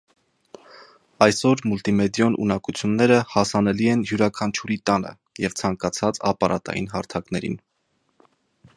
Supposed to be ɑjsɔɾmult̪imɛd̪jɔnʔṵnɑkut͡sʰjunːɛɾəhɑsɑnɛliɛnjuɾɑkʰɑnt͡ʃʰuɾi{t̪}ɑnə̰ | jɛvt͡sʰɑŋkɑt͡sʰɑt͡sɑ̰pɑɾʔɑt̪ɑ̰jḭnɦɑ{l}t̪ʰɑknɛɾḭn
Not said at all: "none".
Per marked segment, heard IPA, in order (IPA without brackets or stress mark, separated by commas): t̪, ɾ